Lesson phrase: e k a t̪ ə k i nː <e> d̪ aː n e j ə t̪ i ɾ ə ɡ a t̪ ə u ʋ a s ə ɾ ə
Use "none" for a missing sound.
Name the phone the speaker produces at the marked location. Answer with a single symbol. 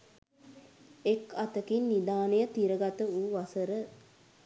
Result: i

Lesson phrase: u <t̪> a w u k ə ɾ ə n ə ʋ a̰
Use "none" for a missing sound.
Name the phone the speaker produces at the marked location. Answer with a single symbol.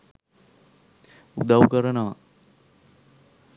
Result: d̪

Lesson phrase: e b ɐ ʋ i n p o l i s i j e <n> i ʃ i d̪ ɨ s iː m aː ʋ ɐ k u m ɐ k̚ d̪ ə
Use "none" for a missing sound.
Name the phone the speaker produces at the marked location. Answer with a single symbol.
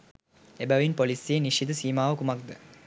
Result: n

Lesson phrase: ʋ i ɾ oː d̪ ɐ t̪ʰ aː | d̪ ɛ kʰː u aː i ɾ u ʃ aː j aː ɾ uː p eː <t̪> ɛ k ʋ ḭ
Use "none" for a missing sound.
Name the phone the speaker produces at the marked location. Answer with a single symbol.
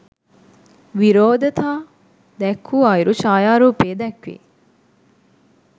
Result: d̪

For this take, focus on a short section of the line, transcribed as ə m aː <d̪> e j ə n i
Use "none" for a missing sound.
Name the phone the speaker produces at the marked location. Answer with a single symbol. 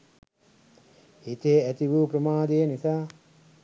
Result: d̪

